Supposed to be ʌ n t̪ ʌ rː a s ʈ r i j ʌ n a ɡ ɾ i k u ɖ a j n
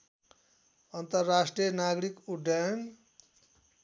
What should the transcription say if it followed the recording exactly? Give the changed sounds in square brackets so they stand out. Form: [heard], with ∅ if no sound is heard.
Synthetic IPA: ʌ n t̪ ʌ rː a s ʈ r i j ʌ n a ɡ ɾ i k u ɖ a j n